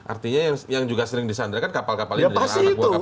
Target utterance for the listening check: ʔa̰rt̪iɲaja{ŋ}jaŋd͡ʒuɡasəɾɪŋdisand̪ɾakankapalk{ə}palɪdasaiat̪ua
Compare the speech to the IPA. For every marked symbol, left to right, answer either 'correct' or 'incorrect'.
correct, incorrect

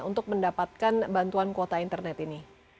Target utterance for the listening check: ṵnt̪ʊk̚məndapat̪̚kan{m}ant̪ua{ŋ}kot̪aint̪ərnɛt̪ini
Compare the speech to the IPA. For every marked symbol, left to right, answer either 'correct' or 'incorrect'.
incorrect, incorrect

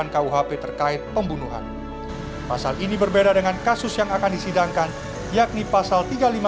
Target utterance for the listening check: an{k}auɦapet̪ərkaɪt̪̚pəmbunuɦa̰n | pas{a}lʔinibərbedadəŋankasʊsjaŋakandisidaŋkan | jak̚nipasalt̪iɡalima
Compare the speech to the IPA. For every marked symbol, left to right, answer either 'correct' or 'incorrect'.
correct, correct

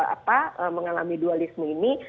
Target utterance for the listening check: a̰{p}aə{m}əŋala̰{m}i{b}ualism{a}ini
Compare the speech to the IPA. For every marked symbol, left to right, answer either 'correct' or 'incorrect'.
correct, correct, correct, incorrect, incorrect

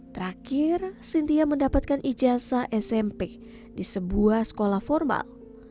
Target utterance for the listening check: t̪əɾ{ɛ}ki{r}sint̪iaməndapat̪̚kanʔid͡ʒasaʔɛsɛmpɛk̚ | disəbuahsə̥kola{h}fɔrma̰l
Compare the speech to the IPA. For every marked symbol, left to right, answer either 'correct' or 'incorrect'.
incorrect, correct, correct

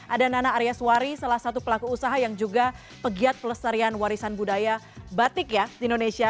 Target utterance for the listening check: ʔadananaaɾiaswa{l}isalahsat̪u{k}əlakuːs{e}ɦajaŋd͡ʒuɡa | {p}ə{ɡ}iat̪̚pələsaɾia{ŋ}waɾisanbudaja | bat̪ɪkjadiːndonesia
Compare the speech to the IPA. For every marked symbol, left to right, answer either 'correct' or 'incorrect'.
incorrect, incorrect, incorrect, correct, correct, incorrect

